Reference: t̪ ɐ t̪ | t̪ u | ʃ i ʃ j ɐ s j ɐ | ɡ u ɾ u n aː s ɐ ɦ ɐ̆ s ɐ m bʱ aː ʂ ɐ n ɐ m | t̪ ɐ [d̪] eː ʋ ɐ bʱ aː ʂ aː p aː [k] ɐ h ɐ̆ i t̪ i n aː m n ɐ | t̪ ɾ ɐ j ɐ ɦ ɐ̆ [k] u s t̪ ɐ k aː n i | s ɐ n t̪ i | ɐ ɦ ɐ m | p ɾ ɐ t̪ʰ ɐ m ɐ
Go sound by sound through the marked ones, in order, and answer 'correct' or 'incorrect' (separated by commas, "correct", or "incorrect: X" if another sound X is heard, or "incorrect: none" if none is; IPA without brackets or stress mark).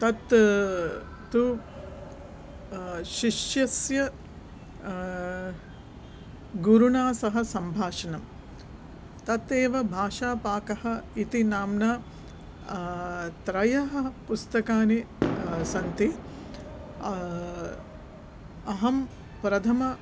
incorrect: t̪, correct, incorrect: p